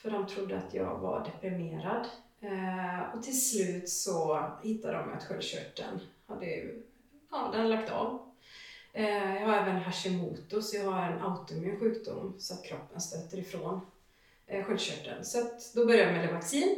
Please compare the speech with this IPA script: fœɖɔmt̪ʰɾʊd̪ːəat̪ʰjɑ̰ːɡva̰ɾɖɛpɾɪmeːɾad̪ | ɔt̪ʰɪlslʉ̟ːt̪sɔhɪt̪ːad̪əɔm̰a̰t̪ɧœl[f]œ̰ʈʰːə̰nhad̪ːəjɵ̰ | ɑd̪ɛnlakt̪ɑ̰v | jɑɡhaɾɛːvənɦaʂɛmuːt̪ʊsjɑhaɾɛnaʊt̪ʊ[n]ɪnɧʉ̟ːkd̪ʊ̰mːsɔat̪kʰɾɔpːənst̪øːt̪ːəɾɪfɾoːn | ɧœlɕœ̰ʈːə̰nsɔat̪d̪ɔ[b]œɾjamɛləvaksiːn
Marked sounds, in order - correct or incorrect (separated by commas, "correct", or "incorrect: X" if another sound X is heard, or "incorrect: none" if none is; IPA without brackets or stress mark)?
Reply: incorrect: ɕ, incorrect: m, correct